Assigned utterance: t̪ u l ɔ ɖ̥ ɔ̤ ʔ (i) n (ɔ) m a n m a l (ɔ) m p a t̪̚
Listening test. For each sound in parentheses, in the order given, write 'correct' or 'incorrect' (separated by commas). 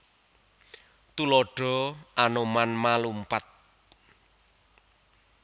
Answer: incorrect, incorrect, incorrect